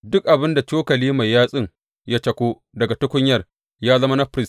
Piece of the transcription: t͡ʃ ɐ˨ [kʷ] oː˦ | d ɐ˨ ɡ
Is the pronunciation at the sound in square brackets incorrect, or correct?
correct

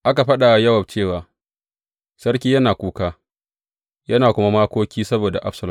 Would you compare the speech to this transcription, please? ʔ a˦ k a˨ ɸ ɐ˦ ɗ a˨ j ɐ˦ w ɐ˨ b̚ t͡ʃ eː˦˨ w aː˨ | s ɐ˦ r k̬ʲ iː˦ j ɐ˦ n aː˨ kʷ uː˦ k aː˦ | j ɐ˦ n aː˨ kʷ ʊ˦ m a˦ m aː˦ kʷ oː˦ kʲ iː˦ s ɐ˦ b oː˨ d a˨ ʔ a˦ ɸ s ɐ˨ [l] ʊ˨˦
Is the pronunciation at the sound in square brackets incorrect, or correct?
correct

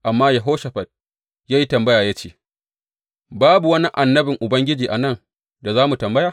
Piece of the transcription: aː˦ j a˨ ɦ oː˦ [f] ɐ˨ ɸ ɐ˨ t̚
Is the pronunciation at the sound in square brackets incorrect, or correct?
incorrect: ʃ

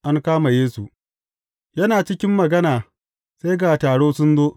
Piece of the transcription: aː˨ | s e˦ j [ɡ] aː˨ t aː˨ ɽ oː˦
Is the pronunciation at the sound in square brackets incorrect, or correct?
correct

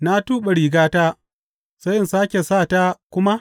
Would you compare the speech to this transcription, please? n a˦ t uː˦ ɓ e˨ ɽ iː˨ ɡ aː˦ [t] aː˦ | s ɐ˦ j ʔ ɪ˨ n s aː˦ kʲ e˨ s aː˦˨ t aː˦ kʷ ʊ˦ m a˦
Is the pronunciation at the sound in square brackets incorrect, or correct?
correct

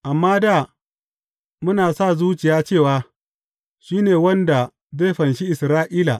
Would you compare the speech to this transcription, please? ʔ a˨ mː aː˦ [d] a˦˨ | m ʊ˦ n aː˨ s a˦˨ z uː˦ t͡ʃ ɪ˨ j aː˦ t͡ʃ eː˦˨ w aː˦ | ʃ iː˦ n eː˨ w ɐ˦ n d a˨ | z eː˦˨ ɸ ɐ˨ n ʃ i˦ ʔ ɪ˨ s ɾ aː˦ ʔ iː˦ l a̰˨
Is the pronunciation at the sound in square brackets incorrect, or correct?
correct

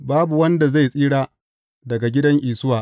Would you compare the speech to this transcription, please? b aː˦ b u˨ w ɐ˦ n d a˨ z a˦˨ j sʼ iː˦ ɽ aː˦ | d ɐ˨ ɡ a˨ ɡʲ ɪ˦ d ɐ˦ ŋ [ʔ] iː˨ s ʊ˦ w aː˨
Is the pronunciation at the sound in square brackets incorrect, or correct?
correct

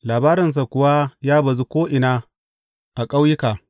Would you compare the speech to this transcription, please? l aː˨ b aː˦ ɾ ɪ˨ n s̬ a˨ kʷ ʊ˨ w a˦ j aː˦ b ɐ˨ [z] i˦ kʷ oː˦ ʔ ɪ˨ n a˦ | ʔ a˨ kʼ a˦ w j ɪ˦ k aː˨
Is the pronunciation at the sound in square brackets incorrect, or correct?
correct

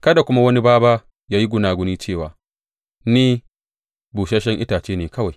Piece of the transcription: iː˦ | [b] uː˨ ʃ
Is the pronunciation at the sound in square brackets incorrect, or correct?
correct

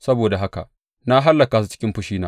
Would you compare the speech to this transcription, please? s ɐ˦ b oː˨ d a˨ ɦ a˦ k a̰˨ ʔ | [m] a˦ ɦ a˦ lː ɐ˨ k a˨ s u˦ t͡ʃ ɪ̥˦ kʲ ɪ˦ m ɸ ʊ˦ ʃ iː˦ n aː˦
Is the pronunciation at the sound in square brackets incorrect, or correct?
incorrect: n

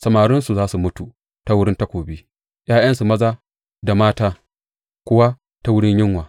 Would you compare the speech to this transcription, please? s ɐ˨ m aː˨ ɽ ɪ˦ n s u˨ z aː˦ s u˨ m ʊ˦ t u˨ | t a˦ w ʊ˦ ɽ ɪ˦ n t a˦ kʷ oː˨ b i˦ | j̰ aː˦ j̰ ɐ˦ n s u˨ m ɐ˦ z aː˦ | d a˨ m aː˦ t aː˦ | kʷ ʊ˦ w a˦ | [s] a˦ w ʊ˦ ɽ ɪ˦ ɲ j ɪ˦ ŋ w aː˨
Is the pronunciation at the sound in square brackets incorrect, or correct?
incorrect: t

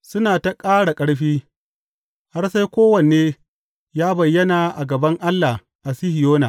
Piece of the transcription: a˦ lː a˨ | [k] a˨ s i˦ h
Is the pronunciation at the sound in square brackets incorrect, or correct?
incorrect: ʔ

